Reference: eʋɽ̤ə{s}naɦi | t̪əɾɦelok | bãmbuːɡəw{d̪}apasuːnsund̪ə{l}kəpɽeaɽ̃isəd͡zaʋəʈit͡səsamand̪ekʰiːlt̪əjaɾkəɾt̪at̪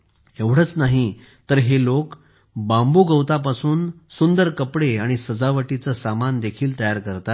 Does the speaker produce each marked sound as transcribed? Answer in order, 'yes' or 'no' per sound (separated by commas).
no, no, no